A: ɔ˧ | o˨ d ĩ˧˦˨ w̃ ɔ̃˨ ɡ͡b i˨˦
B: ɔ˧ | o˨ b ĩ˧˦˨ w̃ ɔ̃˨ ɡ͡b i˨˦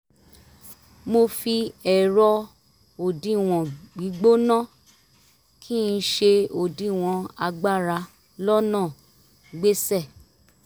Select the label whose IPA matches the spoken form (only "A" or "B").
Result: A